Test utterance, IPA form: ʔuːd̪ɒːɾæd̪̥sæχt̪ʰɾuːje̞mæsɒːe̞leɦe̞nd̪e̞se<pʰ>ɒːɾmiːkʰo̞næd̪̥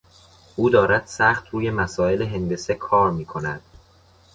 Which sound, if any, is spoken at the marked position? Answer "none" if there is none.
kʰ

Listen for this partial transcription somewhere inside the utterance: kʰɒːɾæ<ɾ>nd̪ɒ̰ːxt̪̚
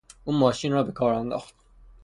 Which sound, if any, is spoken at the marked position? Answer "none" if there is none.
none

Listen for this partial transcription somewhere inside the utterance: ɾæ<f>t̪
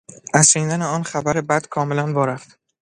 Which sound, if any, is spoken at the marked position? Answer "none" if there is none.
f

